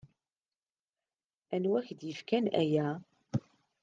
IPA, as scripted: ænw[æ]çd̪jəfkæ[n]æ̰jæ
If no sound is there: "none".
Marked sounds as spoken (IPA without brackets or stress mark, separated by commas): æ, n